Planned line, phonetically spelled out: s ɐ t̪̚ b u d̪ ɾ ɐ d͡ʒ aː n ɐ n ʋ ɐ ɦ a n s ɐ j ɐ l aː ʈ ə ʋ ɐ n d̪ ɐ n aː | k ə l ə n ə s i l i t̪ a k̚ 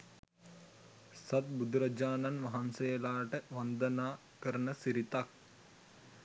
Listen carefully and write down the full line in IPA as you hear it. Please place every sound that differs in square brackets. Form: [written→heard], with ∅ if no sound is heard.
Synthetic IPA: s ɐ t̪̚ b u d̪ ɾ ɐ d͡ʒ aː n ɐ n ʋ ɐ ɦ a n s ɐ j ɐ l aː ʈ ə ʋ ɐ n d̪ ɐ n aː | k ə [l→ɾ] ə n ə s i [l→ɾ] i t̪ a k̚